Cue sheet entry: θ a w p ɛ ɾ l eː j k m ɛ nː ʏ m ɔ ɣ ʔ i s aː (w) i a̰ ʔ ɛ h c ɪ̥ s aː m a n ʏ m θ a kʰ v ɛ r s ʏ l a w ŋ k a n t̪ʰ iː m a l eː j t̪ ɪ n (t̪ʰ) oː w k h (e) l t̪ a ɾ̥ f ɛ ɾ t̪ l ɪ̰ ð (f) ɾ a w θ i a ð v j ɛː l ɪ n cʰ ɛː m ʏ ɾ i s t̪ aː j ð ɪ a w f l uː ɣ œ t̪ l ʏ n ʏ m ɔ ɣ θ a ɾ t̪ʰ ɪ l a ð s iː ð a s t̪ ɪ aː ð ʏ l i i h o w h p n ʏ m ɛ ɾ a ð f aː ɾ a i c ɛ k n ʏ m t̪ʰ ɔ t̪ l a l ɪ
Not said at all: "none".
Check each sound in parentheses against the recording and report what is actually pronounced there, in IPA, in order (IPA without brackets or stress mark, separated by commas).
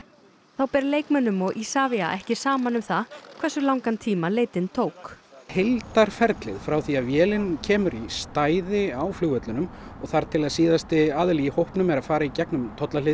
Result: v, t̪ʰ, e, f